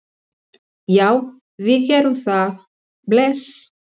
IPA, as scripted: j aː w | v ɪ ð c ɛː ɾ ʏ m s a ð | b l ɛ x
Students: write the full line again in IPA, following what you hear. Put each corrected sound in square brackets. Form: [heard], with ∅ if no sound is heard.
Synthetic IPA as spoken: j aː w | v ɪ ð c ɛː ɾ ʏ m [θ] a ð | b l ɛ [s]